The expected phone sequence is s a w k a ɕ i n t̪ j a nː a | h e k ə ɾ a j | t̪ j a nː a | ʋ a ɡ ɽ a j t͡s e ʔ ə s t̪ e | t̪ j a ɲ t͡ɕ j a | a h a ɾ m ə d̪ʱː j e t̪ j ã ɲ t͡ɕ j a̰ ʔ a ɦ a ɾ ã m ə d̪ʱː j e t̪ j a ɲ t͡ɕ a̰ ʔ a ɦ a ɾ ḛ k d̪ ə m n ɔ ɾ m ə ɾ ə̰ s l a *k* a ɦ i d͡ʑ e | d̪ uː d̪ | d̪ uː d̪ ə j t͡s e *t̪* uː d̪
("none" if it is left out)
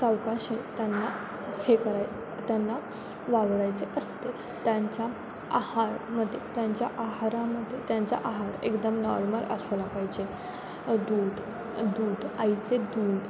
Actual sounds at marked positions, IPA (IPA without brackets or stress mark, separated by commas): p, d̪